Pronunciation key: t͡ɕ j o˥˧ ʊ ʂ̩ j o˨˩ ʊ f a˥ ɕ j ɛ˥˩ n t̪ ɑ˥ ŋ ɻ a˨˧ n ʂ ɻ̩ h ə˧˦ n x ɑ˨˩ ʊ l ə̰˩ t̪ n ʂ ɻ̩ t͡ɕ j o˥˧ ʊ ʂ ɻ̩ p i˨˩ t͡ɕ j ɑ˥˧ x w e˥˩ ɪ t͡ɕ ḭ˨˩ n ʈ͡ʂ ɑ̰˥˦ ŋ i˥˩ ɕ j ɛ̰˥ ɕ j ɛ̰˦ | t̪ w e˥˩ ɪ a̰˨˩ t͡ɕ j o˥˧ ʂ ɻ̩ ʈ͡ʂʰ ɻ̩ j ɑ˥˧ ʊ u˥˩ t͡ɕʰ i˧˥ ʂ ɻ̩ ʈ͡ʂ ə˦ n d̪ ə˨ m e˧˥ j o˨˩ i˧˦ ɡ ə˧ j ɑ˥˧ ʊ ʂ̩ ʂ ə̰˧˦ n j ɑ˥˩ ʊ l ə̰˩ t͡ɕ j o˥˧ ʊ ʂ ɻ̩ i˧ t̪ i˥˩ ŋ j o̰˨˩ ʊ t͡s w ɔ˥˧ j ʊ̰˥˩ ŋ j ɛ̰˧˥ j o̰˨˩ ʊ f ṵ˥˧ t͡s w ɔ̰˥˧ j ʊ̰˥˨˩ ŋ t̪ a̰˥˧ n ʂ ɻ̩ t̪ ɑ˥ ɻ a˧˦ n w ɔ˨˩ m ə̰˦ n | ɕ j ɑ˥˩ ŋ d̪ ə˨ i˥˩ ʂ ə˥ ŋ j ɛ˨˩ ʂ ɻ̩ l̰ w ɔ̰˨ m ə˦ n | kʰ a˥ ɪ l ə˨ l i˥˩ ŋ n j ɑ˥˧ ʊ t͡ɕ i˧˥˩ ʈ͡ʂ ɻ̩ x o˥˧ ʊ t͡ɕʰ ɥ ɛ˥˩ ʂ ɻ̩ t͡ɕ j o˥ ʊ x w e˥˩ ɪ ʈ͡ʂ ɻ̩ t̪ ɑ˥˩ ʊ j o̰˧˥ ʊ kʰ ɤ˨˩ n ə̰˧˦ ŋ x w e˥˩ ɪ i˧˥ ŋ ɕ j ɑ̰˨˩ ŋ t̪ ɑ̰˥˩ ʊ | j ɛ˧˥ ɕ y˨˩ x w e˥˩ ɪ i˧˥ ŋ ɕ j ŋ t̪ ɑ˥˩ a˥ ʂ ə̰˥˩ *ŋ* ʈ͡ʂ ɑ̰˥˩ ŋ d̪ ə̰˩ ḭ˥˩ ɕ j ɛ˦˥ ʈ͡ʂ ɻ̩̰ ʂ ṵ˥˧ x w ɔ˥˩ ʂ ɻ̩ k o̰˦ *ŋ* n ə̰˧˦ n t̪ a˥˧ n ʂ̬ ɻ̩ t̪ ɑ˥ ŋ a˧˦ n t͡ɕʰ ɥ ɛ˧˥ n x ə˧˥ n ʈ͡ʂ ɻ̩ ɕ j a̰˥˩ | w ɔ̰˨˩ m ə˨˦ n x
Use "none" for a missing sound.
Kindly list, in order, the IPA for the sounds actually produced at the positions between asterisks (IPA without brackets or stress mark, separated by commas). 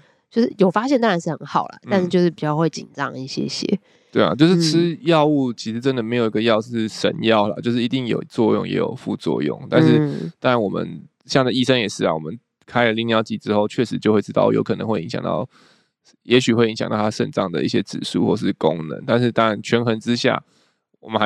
n, ŋ